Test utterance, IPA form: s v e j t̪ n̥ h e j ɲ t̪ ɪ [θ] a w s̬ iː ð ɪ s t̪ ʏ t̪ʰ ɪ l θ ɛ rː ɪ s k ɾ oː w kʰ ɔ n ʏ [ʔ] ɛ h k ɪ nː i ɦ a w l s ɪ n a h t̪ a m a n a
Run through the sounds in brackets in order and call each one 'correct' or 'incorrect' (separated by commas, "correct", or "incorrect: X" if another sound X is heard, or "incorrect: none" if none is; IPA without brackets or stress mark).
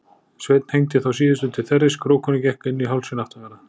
correct, incorrect: c